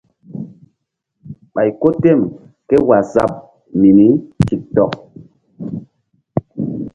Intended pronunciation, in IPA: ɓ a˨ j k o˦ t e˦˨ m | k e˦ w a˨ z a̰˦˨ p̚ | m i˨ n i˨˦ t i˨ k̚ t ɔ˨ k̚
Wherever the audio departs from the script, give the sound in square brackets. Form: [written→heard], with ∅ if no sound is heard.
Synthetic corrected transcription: ɓ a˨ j k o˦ t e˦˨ m | k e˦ w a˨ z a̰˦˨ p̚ | m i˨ n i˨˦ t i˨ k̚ t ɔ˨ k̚